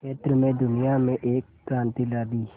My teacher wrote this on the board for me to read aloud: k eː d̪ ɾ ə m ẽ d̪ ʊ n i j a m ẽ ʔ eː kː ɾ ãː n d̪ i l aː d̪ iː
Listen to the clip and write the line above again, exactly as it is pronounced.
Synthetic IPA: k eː t̪ ɾ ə m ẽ d̪ ʊ n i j a m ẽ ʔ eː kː ɾ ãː n t̪ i l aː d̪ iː

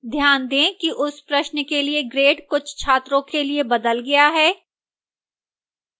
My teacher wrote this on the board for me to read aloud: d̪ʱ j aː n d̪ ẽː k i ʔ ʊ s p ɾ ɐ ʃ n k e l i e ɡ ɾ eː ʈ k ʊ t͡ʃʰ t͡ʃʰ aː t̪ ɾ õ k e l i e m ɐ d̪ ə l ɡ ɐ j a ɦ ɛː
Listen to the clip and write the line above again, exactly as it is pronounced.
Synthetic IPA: d̪ʱ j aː n d̪ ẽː k i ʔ ʊ s p ɾ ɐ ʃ n k e l i e ɡ ɾ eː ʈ k ʊ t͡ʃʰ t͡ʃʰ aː t̪ ɾ õ k e l i e b ɐ d̪ ə l ɡ ɐ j a ɦ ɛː

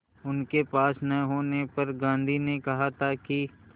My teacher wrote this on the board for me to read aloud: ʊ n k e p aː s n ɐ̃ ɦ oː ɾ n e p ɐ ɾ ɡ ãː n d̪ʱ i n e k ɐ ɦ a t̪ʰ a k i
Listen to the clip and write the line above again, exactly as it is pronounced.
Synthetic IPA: ʊ n k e p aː s n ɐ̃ ɦ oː n e p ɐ ɾ ɡ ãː n d̪ʱ i n e k ɐ ɦ a t̪ʰ a k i

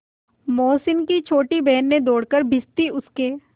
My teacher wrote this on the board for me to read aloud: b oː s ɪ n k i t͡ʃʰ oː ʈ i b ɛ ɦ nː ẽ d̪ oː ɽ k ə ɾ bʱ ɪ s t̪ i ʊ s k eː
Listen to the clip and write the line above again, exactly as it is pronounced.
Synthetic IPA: m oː s ɪ n k i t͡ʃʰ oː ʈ i b ɛ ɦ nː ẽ d̪ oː ɽ k ə ɾ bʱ ɪ s t̪ i ʊ s k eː

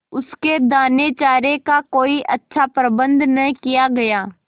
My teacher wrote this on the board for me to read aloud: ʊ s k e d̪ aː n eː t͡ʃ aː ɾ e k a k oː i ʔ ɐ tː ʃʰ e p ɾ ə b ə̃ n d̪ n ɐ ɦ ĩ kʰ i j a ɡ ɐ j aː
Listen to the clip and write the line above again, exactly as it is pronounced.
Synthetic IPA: ʊ s k e d̪ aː n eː t͡ʃ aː ɾ e k a k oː i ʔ ɐ tː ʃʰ a p ɾ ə b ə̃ n d̪ n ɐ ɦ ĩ k i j a ɡ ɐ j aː

